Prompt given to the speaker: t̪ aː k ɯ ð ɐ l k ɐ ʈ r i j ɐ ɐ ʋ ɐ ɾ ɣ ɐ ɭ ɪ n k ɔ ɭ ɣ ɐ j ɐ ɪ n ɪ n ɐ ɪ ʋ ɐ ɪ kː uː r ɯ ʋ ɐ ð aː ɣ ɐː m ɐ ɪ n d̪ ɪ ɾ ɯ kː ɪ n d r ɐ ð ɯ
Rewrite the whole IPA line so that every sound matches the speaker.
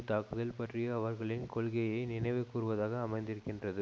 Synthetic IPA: t̪ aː k ɯ ð ɐ l p ɐ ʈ r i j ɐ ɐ ʋ ɐ ɾ ɣ ɐ ɭ ɪ n k ɔ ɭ ɣ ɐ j ɐ ɪ n ɪ n ɐ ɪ ʋ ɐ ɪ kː uː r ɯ ʋ ɐ ð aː ɣ ɐː m ɐ ɪ n d̪ ɪ ɾ ɯ kː ɪ n d r ɐ ð ɯ

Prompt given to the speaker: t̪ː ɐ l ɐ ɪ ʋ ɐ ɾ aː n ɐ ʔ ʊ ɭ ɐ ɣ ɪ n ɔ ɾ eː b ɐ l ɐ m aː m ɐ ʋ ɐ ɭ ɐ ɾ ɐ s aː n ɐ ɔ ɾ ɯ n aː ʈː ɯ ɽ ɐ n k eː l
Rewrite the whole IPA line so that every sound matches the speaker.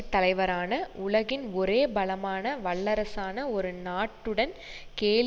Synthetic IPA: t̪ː ɐ l ɐ ɪ ʋ ɐ ɾ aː n ɐ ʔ ʊ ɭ ɐ ɣ ɪ n ɔ ɾ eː b ɐ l ɐ m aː n ɐ ʋ ɐ ɭː ɐ ɾ ɐ s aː n ɐ ɔ ɾ ɯ n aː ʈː ɯ ɽ ɐ n k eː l

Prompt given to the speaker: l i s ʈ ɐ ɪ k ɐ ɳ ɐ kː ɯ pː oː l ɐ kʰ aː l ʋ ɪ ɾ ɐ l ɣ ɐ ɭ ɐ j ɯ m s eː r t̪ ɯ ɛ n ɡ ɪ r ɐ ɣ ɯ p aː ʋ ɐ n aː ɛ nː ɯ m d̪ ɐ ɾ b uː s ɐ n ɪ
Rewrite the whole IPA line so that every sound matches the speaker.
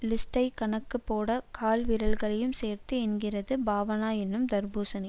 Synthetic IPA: l ɪ s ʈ ɐ ɪ k ɐ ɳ ɐ kː ɯ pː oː ɽ ɐ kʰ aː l ʋ ɪ ɾ ɐ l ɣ ɐ ɭ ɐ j ɯ m s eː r t̪ ɯ ɛ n ɡ ɪ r ɐ ð ɯ b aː ʋ ɐ n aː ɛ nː ɯ m d̪ ɐ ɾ b uː s ɐ n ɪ

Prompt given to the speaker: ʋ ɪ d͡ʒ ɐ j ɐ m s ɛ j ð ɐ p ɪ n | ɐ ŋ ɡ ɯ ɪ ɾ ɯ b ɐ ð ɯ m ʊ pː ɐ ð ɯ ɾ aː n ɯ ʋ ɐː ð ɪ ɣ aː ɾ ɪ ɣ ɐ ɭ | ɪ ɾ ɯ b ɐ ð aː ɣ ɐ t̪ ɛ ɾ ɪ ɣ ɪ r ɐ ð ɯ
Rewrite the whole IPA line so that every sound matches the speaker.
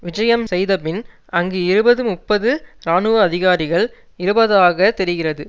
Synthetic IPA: ʋ ɪ d͡ʒ ɐ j ɐ m s ɛ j ð ɐ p ɪ n | ɐ ŋ ɡ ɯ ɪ ɾ ɯ b ɐ ð ɯ m ʊ pː ɐ ð ɯ ɾ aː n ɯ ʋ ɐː ð ɪ ɣ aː ɾ ɪ ɣ ɐ ɭ | ɪ ɾ ɯ b ɐ ð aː ɣ ɐ t̪ ɛ ɾ ɪ ɣ ɪ r ɐ ð ɯ

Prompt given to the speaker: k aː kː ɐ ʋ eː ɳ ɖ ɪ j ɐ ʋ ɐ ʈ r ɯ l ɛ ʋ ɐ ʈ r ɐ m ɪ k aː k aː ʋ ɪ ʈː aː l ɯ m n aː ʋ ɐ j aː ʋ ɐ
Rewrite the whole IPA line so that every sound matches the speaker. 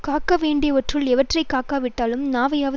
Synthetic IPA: k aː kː ɐ ʋ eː ɳ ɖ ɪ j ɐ ʋ ɐ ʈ r ɯ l ɛ ʋ ɐ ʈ r ɐ ɪ k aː k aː ʋ ɪ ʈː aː l ɯ m n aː ʋ ɐ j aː ʋ ɐ

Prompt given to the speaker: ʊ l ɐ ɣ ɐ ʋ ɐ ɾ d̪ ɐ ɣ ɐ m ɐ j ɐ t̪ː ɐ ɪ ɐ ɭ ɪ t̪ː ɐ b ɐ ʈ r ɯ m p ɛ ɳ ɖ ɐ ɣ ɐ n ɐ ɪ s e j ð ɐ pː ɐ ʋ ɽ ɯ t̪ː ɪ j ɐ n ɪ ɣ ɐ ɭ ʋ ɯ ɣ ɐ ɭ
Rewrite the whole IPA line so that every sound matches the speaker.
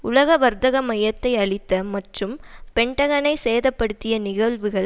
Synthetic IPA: ʊ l ɐ ɣ ɐ ʋ ɐ ɾ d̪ ɐ ɣ ɐ m ɐ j ɐ t̪ː ɐ ɪ ɐ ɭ ɪ t̪ː ɐ m ɐ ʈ r ɯ m p ɛ ɳ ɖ ɐ ɣ ɐ n ɐ ɪ s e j ð ɐ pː ɐ ɽ ɯ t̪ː ɪ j ɐ n ɪ ɣ ɐ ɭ ʋ ɯ ɣ ɐ ɭ

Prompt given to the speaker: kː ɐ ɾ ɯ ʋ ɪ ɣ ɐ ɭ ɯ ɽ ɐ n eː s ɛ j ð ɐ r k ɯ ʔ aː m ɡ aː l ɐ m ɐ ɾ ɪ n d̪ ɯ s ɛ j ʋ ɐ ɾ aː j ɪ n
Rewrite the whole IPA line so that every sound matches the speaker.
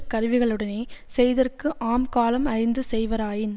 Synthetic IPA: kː ɐ ɾ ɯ ʋ ɪ ɣ ɐ ɭ ɯ ɽ ɐ n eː s ɛ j ð ɐ r k ɯ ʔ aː m k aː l ɐ m ɐ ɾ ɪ n d̪ ɯ s ɛ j ʋ ɐ ɾ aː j ɪ n

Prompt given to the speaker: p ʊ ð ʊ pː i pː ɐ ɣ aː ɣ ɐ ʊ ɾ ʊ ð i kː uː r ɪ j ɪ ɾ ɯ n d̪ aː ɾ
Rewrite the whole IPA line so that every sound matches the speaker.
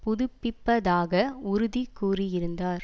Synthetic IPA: p ʊ ð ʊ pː ɪ pː ɐ ð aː ɣ ɐ ʊ ɾ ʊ ð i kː uː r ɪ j ɪ ɾ ɯ n d̪ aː ɾ

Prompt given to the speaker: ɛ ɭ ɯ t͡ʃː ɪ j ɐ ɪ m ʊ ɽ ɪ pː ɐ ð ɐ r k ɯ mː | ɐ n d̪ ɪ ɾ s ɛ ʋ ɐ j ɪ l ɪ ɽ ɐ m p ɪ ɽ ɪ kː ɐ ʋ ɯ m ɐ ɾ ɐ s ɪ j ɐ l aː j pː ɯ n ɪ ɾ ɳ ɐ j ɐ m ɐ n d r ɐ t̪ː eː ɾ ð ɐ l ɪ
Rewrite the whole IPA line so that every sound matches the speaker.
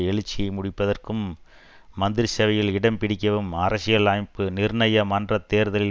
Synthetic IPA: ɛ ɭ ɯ t͡ʃː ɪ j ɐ ɪ m ʊ ɽ ɪ pː ɐ ð ɐ r k ɯ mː | ɐ n d̪ ɪ ɾ s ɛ ʋ ɐ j ɪ l ɪ ɽ ɐ m p ɪ ɽ ɪ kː ɐ ʋ ɯ m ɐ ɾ ɐ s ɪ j ɐ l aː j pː ɯ n ɪ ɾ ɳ ɐ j ɐ m ɐ n d r ɐ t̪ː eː ɾ ð ɐ l ɪ

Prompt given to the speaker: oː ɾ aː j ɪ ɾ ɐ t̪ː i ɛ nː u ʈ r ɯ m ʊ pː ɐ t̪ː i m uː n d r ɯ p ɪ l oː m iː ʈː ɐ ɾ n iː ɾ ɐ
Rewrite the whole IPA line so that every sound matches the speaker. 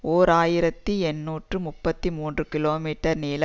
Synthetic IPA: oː ɾ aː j ɪ ɾ ɐ t̪ː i ɛ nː uː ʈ r ɯ m ʊ pː ɐ t̪ː i m uː n d r ɯ k ɪ l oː m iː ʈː ɐ ɾ n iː l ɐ

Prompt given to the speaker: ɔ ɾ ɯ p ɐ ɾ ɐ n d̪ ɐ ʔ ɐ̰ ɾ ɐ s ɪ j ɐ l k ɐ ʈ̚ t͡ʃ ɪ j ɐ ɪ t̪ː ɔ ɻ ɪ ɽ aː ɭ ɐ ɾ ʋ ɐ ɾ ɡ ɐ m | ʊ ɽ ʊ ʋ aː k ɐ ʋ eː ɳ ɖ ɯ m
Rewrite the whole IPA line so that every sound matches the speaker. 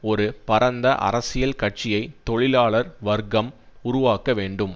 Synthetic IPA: ɔ ɾ ɯ p ɐ ɾ ɐ n d̪ ɐ ʔ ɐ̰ ɾ ɐ s ɪ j ɐ l k ɐ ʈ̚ t͡ʃ ɪ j ɐ ɪ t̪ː ɔ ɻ ɪ l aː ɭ ɐ ɾ ʋ ɐ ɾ ɡ ɐ m | ʊ ɾ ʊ ʋ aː k ɐ ʋ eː ɳ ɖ ɯ m

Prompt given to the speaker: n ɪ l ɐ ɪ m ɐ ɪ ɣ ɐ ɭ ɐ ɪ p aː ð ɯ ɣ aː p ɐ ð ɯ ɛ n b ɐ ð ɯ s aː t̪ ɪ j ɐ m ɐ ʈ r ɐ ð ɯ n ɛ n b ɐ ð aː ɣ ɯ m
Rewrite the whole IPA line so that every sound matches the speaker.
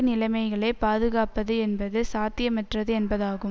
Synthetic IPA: n ɪ l ɐ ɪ m ɐ ɪ ɣ ɐ ɭ ɐ ɪ p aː ð ɯ ɣ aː p ɐ ð ɯ ɛ n b ɐ ð ɯ s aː t̪ ɪ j ɐ m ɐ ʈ r ɐ ð ɯ ɛ n b ɐ ð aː ɣ ɯ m

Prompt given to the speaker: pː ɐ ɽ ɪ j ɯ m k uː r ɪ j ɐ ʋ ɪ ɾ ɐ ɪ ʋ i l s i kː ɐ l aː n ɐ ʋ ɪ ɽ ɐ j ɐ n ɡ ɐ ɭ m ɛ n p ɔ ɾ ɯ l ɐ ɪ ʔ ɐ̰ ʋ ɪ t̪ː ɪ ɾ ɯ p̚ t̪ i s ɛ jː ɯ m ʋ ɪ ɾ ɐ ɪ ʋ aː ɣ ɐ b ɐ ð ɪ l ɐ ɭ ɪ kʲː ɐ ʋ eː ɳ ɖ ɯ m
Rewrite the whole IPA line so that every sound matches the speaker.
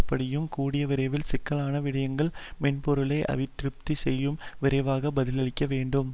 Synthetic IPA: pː ɐ ɽ ɪ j ɯ m k uː ɽ ɪ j ɐ ʋ ɪ ɾ ɐ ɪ ʋ ɪ l s ɪ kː ɐ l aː n ɐ ʋ ɪ ɽ ɐ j ɐ ŋ ɡ ɐ ɭ m ɛ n p ɔ ɾ ɯ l ɐ ɪ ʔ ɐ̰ ʋ ɪ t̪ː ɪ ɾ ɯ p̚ t̪ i s ɛ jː ɯ m ʋ ɪ ɾ ɐ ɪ ʋ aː ɣ ɐ b ɐ ð ɪ l ɐ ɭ ɪ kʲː ɐ ʋ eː ɳ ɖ ɯ m

